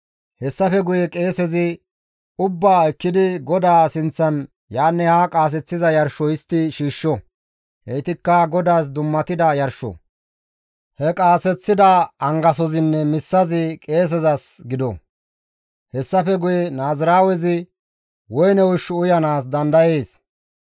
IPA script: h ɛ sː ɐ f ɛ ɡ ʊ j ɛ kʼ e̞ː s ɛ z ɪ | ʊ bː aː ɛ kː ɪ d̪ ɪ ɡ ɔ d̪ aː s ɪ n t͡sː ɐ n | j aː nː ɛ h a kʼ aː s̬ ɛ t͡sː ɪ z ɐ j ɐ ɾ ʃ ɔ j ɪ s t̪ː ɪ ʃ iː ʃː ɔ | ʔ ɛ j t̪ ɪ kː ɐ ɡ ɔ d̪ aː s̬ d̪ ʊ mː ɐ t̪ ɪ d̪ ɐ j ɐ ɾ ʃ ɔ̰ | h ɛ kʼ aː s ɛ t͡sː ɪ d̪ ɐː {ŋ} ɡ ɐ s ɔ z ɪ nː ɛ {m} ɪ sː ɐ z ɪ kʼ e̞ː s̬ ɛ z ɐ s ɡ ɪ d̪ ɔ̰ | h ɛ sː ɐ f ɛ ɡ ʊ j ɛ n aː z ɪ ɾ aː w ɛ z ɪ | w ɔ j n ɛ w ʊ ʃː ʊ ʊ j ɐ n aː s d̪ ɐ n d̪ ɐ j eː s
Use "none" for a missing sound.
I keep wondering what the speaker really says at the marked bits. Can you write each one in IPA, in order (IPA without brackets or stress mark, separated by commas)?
ŋ, m